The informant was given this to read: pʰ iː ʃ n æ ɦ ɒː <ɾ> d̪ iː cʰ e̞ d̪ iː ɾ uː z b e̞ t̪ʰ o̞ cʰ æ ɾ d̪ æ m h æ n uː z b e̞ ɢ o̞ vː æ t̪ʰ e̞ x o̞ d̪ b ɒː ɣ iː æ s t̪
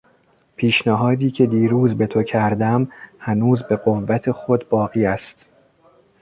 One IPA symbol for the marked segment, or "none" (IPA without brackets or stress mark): none